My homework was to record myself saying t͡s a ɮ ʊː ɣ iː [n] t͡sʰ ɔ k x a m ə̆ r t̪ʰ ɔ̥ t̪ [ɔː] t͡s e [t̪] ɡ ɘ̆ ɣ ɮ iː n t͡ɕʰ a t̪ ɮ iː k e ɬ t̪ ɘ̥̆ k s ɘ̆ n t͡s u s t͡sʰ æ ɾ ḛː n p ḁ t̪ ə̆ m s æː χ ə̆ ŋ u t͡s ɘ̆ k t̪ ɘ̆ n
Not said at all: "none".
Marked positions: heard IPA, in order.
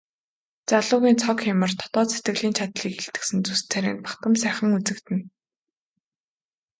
n, ɔː, t̪

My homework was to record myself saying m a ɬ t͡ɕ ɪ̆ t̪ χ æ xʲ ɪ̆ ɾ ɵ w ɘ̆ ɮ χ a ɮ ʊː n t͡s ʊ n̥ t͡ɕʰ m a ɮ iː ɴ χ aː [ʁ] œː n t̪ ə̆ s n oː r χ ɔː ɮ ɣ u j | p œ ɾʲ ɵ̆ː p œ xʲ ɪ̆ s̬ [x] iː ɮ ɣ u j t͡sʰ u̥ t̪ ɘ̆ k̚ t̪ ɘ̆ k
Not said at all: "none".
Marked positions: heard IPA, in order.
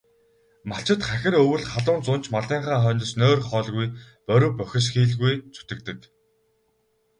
χ, x

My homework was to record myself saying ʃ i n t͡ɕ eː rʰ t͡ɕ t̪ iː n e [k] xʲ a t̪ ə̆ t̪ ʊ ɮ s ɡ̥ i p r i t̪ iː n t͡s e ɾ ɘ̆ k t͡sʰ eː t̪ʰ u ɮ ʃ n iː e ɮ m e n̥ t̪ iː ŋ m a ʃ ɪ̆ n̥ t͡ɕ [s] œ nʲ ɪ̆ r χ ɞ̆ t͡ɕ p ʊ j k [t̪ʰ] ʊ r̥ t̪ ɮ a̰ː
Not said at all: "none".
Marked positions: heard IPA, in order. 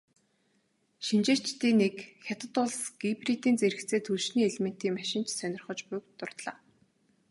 k, s, t̪

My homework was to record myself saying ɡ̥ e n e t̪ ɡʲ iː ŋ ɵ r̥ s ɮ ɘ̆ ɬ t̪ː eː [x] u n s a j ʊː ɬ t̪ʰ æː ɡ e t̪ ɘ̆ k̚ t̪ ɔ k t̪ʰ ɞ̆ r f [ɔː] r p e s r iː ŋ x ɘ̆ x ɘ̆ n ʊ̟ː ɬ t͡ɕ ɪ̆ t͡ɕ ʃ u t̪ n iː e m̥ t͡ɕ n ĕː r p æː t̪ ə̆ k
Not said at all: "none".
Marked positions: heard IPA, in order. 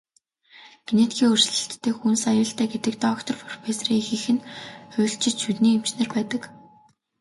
x, ɔ

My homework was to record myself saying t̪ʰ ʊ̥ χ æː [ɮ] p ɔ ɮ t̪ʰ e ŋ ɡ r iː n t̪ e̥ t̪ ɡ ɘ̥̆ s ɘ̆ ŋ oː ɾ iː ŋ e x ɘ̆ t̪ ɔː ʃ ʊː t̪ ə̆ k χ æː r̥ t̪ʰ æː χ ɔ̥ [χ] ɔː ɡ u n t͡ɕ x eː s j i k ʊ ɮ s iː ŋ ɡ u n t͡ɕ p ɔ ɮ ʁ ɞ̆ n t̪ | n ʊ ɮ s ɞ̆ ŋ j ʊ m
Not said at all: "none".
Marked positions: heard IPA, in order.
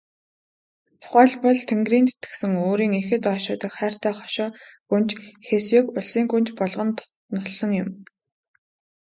ɮ, ʃ

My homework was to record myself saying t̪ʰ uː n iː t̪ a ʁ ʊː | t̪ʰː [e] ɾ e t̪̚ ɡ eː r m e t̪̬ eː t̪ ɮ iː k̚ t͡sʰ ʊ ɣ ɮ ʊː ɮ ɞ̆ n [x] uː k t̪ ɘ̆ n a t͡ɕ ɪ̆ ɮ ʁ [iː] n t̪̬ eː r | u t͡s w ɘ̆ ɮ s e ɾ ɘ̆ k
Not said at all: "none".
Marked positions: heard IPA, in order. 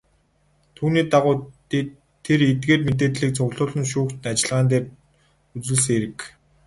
e, ʃ, aː

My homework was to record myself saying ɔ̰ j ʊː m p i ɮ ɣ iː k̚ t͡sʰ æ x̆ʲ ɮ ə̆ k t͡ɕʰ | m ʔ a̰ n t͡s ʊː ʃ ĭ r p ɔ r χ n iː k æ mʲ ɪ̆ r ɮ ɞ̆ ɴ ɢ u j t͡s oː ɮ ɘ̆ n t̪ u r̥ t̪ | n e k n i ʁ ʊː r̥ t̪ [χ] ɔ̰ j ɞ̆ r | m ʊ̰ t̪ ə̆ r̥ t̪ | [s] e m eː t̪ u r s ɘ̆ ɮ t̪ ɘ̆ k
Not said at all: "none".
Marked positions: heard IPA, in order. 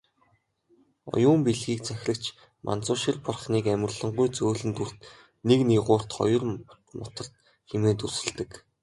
χ, x

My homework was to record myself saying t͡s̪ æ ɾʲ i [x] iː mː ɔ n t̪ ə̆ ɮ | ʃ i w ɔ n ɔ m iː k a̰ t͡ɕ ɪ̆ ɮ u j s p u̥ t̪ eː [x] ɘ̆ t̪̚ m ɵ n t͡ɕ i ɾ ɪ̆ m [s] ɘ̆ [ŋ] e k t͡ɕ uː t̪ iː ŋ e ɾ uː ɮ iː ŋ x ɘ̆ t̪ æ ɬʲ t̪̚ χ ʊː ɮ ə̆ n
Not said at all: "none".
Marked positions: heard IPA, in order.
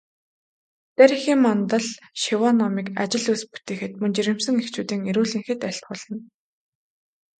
x, x, s, ŋ

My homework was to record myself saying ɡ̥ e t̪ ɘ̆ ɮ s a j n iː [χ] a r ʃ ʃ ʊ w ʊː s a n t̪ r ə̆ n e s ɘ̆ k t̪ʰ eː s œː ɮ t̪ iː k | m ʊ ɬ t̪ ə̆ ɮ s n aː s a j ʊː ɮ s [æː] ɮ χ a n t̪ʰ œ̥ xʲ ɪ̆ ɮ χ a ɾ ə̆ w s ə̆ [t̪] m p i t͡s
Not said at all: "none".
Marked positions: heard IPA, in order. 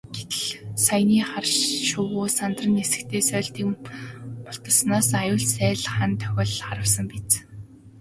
χ, æː, none

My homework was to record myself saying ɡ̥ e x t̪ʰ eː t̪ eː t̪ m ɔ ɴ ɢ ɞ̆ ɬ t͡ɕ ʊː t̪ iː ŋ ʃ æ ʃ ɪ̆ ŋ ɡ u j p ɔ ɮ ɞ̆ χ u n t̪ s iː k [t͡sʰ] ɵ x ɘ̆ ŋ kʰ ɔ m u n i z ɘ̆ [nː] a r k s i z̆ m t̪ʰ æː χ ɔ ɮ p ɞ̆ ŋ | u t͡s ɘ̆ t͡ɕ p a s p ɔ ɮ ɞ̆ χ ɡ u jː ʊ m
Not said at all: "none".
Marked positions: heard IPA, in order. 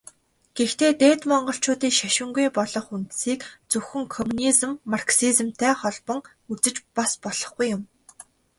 t͡s, mː

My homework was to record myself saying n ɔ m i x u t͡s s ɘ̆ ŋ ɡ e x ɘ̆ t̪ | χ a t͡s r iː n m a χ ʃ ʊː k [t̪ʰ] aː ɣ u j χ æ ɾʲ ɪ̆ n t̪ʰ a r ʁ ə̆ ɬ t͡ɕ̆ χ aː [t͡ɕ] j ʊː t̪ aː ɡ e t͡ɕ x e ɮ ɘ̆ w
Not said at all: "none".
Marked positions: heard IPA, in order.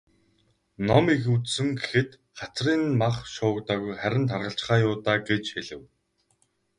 t̪, none

